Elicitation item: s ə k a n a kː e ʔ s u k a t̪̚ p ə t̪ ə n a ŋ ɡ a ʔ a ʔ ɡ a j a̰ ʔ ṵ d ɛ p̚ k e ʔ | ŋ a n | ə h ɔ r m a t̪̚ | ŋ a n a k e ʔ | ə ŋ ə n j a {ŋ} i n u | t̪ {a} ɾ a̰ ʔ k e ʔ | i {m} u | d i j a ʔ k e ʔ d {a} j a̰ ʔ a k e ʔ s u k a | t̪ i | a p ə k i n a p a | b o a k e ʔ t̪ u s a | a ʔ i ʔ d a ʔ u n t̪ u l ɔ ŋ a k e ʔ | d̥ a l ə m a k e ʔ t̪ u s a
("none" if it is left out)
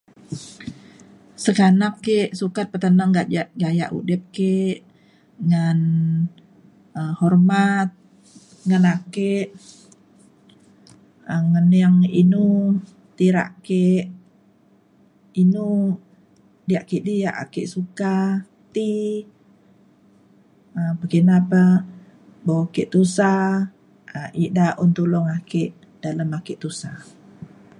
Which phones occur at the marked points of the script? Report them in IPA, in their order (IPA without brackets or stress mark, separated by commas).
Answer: ŋ, i, n, i